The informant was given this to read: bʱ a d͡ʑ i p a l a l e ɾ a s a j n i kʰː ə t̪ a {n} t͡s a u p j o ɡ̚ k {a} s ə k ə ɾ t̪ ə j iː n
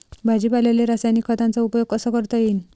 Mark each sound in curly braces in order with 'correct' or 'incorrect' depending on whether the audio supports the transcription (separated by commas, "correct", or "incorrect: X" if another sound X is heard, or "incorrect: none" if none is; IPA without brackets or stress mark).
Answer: correct, incorrect: ə